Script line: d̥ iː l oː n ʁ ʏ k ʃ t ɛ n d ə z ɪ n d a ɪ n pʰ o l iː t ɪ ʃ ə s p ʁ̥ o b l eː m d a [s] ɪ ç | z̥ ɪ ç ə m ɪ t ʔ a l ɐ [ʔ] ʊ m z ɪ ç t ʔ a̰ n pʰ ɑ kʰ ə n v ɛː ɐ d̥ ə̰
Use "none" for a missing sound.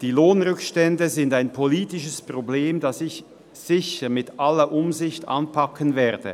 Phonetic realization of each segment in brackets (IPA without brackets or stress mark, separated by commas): s, ʔ